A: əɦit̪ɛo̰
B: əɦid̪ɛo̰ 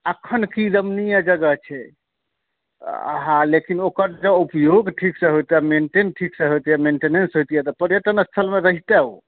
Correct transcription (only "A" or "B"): A